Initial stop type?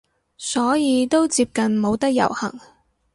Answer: plain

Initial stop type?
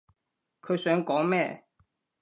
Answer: aspirated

